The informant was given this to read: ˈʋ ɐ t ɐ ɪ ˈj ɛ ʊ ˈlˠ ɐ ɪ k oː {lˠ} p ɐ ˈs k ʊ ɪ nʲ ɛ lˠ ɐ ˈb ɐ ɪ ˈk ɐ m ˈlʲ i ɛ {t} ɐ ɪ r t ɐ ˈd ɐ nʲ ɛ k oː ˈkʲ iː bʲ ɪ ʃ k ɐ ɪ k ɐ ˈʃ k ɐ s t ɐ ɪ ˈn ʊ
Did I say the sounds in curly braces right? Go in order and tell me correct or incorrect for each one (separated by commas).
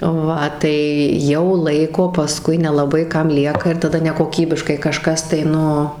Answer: incorrect, incorrect